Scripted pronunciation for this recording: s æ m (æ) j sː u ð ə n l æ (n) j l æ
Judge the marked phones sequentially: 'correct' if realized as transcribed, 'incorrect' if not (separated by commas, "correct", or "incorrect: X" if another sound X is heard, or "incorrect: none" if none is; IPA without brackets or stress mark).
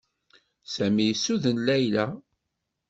incorrect: i, incorrect: none